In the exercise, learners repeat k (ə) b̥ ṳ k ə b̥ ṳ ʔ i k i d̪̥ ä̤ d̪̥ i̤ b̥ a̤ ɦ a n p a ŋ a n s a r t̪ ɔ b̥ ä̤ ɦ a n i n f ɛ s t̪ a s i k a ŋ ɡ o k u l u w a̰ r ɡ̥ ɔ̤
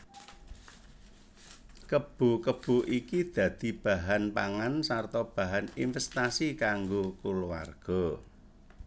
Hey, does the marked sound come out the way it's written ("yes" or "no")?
yes